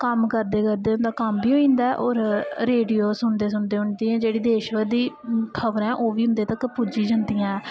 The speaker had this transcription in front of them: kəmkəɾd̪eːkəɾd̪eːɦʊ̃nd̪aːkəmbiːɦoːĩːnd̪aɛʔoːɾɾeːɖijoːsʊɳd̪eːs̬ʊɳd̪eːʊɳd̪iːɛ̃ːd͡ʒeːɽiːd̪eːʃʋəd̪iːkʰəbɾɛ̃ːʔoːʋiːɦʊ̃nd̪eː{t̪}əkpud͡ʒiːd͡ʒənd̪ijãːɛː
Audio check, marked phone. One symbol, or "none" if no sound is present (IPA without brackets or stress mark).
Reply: t̪